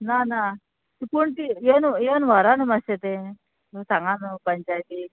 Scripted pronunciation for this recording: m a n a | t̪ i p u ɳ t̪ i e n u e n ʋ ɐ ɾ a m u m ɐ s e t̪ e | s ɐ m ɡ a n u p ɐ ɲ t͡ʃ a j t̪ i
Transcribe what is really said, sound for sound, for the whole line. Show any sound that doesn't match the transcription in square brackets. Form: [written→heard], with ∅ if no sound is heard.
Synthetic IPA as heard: [m→n] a n a | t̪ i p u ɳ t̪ i e n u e n ʋ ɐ ɾ a [m→n] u m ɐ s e t̪ e | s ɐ [m→ŋ] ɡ a n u p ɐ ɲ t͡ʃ a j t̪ i